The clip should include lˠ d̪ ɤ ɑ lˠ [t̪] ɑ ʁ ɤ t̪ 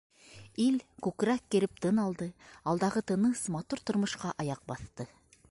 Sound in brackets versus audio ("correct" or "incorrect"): incorrect